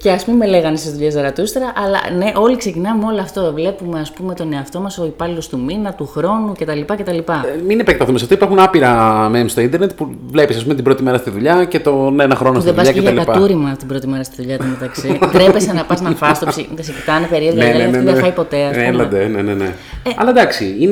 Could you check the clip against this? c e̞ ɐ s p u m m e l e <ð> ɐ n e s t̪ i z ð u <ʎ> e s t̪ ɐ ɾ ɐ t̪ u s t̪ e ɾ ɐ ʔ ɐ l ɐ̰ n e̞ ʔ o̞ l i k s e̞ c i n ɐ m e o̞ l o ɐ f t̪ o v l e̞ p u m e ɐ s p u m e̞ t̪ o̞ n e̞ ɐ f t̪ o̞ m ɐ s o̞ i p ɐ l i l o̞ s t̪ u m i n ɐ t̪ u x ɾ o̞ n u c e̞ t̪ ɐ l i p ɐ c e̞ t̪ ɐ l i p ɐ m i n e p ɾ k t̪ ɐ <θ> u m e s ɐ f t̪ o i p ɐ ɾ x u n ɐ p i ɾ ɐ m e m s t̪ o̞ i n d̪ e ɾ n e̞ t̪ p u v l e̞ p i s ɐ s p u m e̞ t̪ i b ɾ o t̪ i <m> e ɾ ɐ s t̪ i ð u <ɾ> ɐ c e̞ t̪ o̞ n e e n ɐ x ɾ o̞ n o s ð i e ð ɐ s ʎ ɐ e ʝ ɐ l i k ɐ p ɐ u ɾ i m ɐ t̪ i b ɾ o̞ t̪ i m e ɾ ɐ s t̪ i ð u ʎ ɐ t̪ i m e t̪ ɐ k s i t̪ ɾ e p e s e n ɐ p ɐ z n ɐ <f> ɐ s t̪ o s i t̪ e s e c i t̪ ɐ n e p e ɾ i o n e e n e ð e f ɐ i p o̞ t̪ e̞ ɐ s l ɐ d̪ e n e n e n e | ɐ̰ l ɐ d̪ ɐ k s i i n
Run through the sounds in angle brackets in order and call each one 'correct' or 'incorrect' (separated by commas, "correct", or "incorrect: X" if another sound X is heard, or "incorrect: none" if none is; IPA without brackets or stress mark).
incorrect: ɣ, correct, correct, correct, incorrect: ʎ, correct